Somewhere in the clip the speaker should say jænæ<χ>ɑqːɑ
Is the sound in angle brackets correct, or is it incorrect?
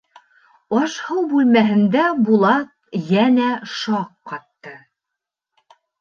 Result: incorrect